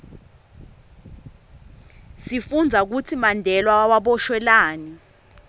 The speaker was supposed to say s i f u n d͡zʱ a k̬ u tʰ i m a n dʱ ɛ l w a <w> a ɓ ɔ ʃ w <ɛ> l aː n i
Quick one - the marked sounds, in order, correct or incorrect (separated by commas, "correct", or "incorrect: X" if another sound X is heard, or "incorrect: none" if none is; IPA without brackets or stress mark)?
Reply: correct, correct